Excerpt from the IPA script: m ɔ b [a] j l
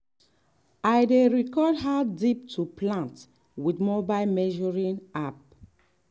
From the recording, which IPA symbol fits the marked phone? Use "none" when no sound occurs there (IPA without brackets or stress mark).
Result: a